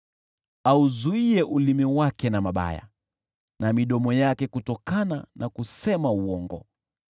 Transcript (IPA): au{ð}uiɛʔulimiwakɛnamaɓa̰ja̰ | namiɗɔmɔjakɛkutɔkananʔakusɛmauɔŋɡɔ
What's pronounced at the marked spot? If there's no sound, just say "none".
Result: z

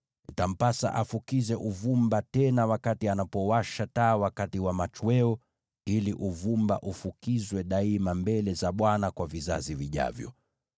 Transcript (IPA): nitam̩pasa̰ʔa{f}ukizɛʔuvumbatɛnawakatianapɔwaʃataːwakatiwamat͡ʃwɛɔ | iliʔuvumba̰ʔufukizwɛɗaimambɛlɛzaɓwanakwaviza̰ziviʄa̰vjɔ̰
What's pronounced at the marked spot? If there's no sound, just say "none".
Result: f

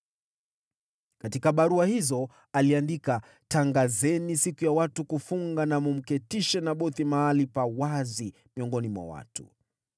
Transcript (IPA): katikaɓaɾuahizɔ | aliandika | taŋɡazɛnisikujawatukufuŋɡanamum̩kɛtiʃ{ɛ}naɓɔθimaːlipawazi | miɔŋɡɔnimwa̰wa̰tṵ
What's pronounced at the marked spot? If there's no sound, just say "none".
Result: ɛ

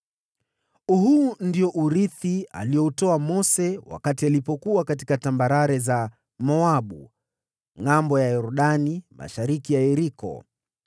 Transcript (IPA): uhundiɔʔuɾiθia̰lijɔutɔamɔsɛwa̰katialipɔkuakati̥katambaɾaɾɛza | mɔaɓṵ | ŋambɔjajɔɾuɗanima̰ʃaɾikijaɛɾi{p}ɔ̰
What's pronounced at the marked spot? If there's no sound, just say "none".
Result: k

